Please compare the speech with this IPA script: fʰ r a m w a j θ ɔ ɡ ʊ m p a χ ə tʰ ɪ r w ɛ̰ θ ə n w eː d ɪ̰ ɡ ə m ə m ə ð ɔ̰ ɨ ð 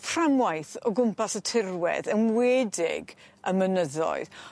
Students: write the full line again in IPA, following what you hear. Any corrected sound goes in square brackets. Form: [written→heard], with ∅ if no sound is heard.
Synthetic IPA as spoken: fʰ r a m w a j θ ɔ ɡ ʊ m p a [χ→s] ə tʰ ɪ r w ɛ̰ [θ→ð] ə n w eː d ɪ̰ ɡ ə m ə [m→n] ə ð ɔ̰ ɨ ð